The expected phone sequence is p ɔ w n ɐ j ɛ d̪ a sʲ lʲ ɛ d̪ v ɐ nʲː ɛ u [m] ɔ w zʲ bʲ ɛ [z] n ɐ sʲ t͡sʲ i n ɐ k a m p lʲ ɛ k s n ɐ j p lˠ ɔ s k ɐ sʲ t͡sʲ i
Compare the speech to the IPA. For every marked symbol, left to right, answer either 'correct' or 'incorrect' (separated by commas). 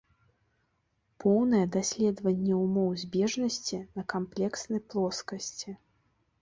correct, incorrect